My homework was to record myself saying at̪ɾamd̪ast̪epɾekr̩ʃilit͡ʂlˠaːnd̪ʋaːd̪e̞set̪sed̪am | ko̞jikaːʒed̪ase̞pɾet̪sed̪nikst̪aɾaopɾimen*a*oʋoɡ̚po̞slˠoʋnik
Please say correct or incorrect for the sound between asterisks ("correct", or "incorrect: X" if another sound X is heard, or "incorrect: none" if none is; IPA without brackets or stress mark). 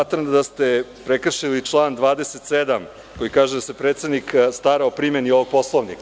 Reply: incorrect: i